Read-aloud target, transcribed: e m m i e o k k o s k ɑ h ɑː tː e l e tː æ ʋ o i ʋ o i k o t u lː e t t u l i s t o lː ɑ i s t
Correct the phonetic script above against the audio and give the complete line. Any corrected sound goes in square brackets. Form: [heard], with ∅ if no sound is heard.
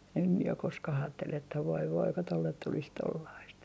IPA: e m m i e o k k o s k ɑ h ɑː tː e l e tː æ ʋ o i ʋ o i k o t [o] lː e t t u l i s t o lː ɑ i s t